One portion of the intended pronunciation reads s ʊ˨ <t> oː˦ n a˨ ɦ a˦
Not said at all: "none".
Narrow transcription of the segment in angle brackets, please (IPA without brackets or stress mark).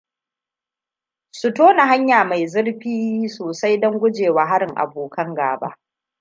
t